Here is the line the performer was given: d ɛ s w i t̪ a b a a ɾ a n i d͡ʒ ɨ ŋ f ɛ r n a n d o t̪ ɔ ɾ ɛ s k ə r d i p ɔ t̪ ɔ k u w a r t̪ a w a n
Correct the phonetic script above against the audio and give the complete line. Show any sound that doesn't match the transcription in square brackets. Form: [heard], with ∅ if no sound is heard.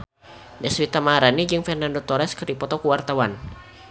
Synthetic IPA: d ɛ s w i t̪ a [m] a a ɾ a n i d͡ʒ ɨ ŋ f ɛ r n a n d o t̪ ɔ ɾ ɛ s k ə r d i p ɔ t̪ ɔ k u w a r t̪ a w a n